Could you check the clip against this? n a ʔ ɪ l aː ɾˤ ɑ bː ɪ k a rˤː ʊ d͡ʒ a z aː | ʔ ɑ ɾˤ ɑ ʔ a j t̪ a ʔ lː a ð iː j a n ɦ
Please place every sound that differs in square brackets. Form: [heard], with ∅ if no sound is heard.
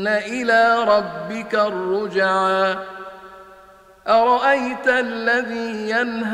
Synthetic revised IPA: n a ʔ ɪ l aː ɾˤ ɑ bː ɪ k a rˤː ʊ d͡ʒ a [ʕ] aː | ʔ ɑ ɾˤ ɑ ʔ a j t̪ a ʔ lː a ð iː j a n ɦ